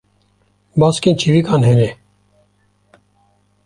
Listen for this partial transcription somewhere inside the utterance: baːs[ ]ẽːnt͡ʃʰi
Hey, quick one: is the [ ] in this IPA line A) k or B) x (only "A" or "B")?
A